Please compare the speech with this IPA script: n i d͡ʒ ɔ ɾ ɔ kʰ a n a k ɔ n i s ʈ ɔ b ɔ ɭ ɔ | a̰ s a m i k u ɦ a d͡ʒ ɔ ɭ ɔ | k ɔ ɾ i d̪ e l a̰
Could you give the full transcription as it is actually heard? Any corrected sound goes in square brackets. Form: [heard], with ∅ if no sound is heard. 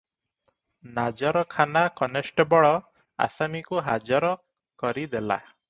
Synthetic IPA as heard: n [a] d͡ʒ ɔ ɾ ɔ kʰ a n a k ɔ n [e] s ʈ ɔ b ɔ ɭ ɔ | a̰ s a m i k u ɦ a d͡ʒ ɔ [ɾ] ɔ | k ɔ ɾ i d̪ e l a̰